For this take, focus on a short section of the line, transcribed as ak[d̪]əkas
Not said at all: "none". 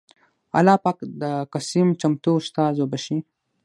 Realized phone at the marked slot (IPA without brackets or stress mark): d̪